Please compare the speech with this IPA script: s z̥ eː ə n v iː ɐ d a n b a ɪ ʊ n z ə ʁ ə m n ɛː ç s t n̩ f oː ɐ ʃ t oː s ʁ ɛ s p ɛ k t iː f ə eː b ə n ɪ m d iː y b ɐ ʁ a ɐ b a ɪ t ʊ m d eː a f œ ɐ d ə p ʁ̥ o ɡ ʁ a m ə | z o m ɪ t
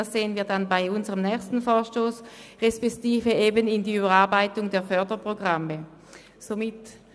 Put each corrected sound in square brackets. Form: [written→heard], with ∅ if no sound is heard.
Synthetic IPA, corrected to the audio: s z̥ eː ə n v iː ɐ d a n b a ɪ ʊ n z ə ʁ ə m n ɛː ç s t n̩ f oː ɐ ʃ t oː s ʁ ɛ s p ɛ k t iː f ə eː b ə n ɪ [m→n] d iː y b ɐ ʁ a ɐ b a ɪ t ʊ [m→ŋ] d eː [a→ɐ] f œ ɐ d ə p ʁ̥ o ɡ ʁ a m ə | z o m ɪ t